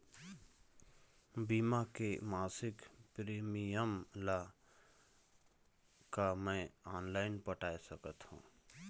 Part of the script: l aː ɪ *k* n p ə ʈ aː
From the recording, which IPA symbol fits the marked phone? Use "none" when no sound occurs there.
none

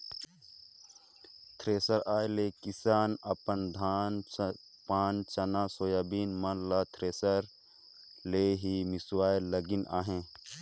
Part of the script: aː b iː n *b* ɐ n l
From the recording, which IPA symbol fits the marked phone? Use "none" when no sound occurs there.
m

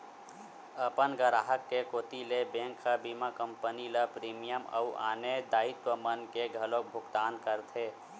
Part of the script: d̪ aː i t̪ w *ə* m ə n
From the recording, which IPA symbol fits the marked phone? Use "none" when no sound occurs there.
ə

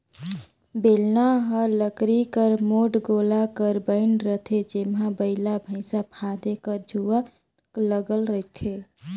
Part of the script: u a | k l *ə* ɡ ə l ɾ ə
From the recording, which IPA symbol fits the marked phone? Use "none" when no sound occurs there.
ə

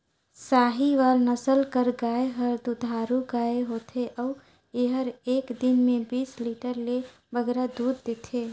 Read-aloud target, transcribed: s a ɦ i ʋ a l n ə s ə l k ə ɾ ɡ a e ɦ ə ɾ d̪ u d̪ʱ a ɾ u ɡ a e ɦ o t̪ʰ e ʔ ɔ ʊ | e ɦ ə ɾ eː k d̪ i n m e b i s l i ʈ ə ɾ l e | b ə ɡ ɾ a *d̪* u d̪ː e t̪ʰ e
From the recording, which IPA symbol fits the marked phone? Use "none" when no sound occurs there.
d̪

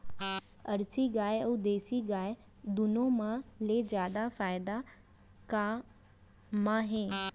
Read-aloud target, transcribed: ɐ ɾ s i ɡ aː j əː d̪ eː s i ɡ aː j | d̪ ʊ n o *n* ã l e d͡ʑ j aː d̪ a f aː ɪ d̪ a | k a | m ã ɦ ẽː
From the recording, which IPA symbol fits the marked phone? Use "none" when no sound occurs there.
m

